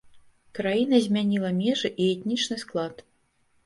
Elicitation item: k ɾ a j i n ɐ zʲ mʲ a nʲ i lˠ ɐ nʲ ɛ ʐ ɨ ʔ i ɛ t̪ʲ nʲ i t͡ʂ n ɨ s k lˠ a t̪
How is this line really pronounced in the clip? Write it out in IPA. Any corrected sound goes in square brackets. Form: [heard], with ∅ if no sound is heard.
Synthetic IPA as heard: k ɾ a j i n ɐ zʲ mʲ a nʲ i lˠ ɐ [mʲ] ɛ ʐ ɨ ʔ i ɛ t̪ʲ nʲ i t͡ʂ n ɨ s k lˠ a t̪